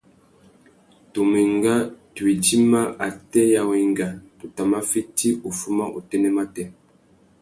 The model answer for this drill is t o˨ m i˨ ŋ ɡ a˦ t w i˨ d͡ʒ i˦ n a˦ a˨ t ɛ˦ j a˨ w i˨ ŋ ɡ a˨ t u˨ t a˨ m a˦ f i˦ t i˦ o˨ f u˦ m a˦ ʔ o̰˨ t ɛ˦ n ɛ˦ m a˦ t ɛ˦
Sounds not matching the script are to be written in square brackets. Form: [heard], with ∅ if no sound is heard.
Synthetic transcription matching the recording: t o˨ m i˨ ŋ ɡ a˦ t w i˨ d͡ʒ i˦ [m] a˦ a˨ t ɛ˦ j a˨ w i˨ ŋ ɡ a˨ t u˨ t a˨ m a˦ f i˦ t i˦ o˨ f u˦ m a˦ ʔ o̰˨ t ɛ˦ n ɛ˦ m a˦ t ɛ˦

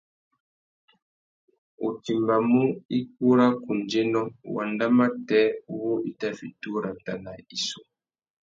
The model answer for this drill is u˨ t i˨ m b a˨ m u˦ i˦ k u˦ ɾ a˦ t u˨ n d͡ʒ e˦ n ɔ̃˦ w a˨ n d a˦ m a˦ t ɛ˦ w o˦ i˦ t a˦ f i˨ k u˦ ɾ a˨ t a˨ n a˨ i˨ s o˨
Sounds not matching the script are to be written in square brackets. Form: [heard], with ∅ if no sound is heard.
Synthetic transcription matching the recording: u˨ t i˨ m b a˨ m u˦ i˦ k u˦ ɾ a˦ [k] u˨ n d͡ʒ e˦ n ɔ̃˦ w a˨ n d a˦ m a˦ t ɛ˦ w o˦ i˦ t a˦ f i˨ [t] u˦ ɾ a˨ t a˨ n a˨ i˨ s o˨

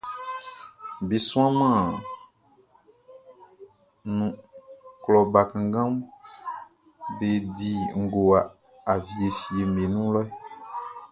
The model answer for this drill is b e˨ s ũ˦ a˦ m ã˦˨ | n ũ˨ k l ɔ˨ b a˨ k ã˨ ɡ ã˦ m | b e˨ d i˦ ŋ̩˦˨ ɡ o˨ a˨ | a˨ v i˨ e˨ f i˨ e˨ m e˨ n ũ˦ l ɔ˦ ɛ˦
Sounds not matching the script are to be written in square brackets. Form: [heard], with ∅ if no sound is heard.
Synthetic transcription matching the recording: b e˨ s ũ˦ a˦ m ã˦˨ | n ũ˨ k l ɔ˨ b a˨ k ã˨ ɡ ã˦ m | b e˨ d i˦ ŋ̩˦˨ ɡ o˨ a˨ | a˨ v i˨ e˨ f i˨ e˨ m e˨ n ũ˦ l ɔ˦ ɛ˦

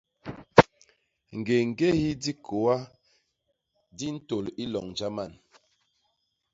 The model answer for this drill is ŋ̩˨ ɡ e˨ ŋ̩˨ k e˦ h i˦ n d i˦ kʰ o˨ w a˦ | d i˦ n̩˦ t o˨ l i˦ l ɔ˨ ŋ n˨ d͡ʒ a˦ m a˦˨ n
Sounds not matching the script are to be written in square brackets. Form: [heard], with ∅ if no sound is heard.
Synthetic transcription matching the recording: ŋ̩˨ ɡ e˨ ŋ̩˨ [ɡ] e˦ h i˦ [∅] d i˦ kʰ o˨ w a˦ | d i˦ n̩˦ t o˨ l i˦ l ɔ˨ ŋ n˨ d͡ʒ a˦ m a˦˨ n

